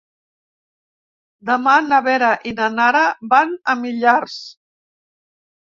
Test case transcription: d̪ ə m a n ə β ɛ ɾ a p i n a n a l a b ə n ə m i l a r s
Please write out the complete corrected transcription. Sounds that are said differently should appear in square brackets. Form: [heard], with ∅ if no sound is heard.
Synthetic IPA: d̪ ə m a n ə β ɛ ɾ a [ʔ] i n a n a [ɾ] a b [a] n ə m i [ʎ] a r s